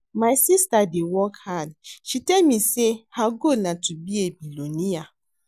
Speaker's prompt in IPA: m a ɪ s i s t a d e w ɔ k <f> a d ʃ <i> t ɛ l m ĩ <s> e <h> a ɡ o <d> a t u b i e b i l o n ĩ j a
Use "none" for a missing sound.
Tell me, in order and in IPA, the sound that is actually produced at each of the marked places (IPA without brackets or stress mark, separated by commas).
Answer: h, i, s, h, n